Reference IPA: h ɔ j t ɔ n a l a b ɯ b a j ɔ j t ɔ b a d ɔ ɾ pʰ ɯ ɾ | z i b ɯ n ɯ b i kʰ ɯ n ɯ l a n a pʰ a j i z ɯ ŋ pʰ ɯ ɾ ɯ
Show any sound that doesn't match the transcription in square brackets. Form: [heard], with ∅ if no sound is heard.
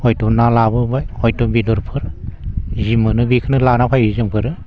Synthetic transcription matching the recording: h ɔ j t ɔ n a l a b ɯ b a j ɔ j t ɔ b [i] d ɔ ɾ pʰ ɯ ɾ | z i [m] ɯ n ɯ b i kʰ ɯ n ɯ l a n a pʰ a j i z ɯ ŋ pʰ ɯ ɾ ɯ